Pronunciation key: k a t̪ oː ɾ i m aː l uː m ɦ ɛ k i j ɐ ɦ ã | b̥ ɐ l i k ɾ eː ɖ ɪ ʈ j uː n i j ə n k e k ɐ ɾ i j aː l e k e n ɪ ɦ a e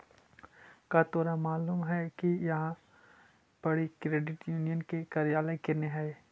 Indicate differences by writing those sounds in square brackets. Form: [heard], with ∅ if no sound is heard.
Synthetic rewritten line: k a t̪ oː ɾ [a] m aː l uː m ɦ ɛ k i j ɐ ɦ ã | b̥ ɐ [ɽ] i k ɾ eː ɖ ɪ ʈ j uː n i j ə n k e k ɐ ɾ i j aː l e k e n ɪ ɦ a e